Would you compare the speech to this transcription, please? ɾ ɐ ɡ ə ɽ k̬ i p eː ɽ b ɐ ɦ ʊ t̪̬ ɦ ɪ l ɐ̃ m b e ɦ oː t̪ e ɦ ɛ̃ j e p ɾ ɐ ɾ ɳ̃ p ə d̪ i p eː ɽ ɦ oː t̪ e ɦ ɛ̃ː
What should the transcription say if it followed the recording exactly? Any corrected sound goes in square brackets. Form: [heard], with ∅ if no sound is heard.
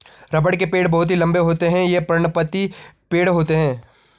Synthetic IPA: ɾ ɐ [b] ə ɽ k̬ [e] p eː ɽ b ɐ ɦ ʊ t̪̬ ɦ [i] l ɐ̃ m b e ɦ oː t̪ e ɦ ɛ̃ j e p ɾ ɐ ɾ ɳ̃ p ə [t̪] i p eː ɽ ɦ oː t̪ e ɦ ɛ̃ː